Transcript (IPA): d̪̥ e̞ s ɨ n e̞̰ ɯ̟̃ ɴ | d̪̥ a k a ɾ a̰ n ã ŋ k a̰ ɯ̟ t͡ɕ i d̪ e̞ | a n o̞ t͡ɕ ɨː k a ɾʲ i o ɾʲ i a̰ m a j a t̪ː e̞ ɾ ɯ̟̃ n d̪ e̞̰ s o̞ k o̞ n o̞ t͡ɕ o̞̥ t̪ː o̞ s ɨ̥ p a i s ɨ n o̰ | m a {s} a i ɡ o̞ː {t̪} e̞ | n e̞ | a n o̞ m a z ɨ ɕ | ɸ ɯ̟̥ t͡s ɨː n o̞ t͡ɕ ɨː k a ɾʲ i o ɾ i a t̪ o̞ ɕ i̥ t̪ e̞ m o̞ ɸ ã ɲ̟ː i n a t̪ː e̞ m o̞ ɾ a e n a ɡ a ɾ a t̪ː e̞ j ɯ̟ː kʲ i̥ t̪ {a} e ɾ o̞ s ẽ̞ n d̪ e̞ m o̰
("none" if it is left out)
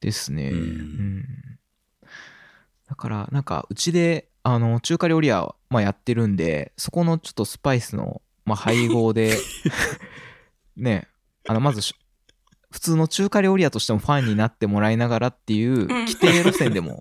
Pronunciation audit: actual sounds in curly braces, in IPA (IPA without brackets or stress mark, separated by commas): h, d̪, e